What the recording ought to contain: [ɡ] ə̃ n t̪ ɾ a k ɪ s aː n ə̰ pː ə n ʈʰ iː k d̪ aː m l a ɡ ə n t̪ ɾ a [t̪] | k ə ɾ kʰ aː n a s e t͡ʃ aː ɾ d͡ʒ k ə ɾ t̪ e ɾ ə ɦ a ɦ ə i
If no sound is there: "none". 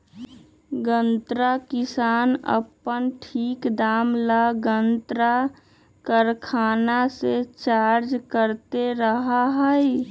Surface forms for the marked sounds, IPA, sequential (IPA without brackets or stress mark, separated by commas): ɡ, none